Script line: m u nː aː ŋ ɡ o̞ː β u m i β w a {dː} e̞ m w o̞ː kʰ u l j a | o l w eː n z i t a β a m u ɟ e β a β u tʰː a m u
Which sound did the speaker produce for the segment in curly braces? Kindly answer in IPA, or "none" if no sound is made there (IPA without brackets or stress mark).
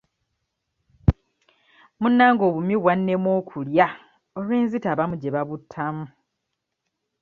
nː